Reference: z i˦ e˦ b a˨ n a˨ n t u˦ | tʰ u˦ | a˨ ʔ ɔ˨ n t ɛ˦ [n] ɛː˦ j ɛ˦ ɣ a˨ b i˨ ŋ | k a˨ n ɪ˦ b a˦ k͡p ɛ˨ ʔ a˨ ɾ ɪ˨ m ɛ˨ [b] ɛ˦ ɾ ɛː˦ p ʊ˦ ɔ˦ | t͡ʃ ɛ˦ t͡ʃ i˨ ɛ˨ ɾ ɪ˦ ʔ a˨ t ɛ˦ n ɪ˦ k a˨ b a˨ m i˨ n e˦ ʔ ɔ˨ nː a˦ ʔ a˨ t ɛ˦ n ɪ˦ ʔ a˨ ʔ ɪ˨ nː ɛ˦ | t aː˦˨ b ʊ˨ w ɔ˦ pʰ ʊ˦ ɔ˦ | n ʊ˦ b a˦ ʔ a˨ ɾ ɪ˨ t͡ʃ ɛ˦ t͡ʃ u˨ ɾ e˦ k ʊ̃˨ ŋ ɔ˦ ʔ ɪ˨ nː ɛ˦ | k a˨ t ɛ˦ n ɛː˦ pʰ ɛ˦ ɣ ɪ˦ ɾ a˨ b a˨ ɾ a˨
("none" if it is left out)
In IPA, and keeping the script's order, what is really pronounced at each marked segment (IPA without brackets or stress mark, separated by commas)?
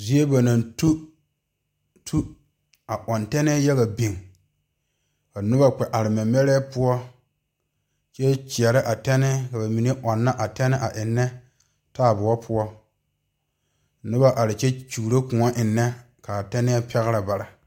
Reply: n, m